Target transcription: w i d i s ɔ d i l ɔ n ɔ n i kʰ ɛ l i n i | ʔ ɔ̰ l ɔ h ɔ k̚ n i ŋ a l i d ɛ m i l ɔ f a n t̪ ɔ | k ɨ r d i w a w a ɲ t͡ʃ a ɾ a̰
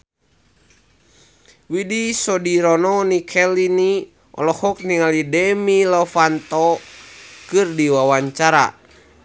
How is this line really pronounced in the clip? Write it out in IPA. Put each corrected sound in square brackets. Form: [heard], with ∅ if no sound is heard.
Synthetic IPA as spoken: w i d i s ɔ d i [ɾ] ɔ n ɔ n i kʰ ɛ l i n i | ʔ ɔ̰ l ɔ h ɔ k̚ n i ŋ a l i d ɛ m i l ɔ f a n t̪ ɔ | k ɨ r d i w a w a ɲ t͡ʃ a ɾ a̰